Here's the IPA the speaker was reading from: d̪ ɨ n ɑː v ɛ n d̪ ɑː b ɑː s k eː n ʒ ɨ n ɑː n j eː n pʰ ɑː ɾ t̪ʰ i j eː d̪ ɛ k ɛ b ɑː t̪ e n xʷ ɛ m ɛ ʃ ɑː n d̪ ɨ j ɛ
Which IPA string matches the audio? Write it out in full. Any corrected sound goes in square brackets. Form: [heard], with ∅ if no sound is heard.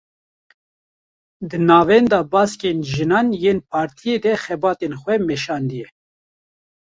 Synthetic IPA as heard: d̪ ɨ n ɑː v ɛ n d̪ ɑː b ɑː s k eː n ʒ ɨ n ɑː n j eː n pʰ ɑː ɾ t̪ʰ i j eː d̪ ɛ [x] ɛ b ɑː t̪ e n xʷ ɛ m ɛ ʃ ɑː n d̪ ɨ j ɛ